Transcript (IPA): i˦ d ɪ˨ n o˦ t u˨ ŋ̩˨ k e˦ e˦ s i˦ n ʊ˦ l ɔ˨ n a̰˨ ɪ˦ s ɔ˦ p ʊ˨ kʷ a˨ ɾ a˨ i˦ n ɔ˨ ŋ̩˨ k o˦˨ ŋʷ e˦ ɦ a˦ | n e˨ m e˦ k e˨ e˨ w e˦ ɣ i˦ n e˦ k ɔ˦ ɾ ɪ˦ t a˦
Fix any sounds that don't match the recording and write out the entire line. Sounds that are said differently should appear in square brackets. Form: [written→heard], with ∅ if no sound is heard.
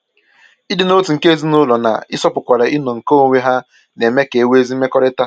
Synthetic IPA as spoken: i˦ d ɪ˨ n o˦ t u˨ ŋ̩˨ k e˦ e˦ [s→z] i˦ n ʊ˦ l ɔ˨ n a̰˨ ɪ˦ s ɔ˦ p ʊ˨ kʷ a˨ ɾ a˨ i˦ n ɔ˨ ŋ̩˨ k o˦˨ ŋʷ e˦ ɦ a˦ | n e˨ m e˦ k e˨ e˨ w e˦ [ɣ→z] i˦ [n→m] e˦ k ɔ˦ ɾ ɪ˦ t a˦